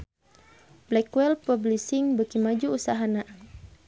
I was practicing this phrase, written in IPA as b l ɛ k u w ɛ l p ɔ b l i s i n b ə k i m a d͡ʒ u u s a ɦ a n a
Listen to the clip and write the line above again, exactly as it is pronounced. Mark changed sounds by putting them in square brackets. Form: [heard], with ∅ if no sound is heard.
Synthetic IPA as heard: b l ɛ k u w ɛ l p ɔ b l i s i [ŋ] b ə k i m a d͡ʒ u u s a ɦ a n a